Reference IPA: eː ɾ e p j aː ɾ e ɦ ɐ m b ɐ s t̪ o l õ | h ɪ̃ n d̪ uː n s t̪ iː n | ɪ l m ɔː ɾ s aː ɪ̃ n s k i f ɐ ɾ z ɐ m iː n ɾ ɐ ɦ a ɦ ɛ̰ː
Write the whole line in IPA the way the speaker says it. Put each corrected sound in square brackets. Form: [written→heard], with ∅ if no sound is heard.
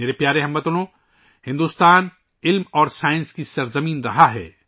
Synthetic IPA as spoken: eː ɾ e p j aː ɾ e ɦ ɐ m b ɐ [s→∅] t̪ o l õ | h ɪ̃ n d̪ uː [n→∅] s t̪ [iː→aː] n | ɪ l m ɔː ɾ s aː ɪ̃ n s k i [f→s] ɐ ɾ z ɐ m iː n ɾ ɐ ɦ a ɦ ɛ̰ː